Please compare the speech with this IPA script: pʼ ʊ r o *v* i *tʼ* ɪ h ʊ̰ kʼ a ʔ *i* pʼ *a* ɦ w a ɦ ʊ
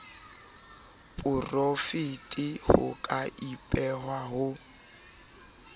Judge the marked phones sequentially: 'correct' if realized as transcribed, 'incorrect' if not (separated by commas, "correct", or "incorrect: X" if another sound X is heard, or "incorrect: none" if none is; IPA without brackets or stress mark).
incorrect: f, correct, correct, incorrect: ɛ